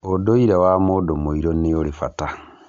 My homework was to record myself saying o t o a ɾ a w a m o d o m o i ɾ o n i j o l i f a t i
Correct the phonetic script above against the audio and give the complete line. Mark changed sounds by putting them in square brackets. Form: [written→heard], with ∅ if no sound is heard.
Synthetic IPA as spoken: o [t→d] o [a→i] ɾ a w a m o d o m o i ɾ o n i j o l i f a t [i→a]